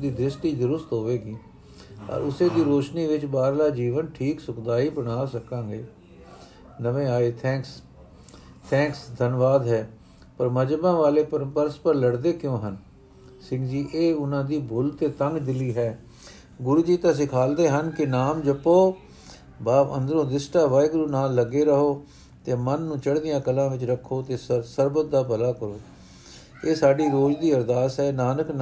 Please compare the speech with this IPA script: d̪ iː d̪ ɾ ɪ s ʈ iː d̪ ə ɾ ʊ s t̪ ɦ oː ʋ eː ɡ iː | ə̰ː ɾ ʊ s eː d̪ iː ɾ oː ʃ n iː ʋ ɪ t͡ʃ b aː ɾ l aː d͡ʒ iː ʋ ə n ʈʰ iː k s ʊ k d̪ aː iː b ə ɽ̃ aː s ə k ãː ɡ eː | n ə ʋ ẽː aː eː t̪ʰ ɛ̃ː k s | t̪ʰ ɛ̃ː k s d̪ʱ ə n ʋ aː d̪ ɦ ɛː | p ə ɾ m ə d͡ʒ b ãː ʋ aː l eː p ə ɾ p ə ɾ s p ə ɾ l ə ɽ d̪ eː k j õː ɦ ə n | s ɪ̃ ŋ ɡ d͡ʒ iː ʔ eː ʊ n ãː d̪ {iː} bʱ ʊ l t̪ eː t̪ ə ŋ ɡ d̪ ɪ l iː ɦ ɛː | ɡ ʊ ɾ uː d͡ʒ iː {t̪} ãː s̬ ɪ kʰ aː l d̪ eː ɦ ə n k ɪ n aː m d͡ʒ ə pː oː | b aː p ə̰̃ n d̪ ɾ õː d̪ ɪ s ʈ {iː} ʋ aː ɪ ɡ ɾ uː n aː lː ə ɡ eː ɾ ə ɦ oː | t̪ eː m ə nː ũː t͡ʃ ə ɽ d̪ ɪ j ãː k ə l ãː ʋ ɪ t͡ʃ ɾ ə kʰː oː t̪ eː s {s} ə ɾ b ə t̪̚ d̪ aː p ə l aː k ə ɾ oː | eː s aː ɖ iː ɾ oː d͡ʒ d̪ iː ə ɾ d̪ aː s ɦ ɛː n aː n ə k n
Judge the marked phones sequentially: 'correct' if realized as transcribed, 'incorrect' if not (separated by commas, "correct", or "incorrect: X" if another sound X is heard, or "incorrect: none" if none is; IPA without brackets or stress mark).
correct, correct, incorrect: aː, correct